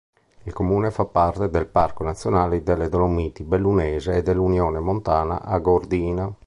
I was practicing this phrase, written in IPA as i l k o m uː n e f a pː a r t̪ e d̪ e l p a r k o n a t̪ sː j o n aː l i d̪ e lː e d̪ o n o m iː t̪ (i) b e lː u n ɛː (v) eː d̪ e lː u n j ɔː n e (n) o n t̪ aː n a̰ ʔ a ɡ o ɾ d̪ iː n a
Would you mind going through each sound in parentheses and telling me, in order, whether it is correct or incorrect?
correct, incorrect: z, incorrect: m

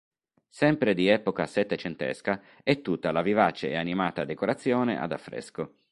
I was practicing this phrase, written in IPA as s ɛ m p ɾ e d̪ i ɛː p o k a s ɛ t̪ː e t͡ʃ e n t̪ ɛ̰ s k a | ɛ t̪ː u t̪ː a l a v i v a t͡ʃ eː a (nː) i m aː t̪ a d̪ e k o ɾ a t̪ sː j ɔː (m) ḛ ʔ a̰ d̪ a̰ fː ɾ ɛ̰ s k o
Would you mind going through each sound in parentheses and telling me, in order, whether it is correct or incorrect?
incorrect: n, incorrect: n

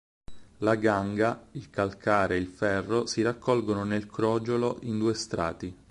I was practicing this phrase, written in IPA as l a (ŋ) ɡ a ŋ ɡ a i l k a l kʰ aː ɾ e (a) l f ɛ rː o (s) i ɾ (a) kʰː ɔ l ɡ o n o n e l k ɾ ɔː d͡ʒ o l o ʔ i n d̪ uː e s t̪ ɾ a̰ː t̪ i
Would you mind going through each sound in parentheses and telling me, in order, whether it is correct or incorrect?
incorrect: none, incorrect: i, correct, correct

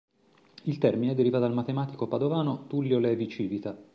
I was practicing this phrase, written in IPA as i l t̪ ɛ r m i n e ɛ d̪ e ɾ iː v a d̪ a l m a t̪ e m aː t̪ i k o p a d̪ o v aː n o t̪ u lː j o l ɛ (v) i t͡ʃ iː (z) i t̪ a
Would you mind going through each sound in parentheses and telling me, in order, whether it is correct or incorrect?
correct, incorrect: v

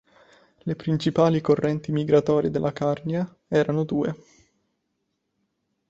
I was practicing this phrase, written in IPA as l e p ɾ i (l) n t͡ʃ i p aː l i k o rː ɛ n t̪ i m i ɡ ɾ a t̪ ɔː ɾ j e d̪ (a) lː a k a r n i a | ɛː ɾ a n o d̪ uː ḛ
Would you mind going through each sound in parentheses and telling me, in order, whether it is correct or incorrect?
incorrect: none, incorrect: e

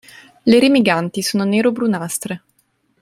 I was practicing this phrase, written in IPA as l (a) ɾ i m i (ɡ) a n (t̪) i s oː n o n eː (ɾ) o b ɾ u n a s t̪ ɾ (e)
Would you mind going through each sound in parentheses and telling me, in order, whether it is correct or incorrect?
incorrect: e, correct, correct, correct, correct

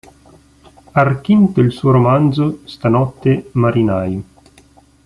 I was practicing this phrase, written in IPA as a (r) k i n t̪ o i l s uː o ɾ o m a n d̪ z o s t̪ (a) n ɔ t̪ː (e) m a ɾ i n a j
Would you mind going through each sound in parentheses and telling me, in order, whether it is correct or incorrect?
correct, correct, correct

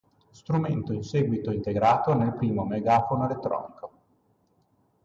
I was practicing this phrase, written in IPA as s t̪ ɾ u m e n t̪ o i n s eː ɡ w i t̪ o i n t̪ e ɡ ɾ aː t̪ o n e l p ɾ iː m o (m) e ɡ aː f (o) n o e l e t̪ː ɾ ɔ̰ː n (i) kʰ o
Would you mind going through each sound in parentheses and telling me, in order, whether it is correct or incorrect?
correct, correct, correct

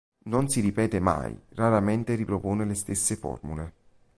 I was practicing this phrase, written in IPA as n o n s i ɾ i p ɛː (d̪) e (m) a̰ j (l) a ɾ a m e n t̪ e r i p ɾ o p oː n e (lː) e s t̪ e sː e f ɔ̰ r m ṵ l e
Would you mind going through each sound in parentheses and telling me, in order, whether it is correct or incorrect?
incorrect: t̪, correct, incorrect: r, incorrect: l

